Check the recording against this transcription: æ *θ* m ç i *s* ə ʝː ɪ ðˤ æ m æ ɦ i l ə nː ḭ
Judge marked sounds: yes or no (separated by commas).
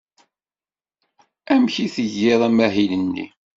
no, no